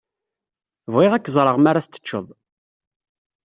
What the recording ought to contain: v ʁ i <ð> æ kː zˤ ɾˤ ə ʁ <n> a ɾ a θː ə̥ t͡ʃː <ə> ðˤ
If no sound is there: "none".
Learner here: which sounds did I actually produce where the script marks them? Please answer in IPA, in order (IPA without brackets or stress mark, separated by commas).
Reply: ʁ, m, ə